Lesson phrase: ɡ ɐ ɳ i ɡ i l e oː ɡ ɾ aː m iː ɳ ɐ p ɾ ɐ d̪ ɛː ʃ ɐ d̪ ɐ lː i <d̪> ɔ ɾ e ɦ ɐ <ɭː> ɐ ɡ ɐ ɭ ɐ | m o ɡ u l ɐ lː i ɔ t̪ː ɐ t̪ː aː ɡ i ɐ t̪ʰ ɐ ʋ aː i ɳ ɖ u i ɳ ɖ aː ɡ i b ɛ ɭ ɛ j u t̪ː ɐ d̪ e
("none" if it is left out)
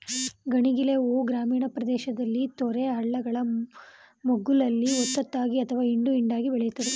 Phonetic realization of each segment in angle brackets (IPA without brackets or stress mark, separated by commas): t̪, ɭː